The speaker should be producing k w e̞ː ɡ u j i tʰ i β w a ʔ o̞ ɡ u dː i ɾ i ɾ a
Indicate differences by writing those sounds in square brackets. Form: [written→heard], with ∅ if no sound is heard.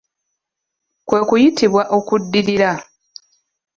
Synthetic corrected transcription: k w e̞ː [ɡ→k] u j i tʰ i β w a ʔ o̞ [ɡ→k] u dː i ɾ i ɾ a